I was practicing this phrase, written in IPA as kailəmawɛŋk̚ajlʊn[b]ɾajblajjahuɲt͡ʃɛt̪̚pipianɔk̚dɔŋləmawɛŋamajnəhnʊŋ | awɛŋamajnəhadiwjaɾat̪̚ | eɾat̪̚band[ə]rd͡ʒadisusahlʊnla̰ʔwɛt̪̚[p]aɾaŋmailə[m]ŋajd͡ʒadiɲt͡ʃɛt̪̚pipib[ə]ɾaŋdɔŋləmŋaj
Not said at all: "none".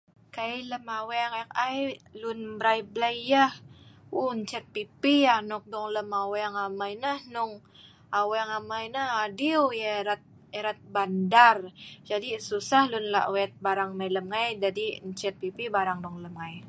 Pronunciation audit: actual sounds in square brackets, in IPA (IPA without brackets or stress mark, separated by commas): b, a, b, m, a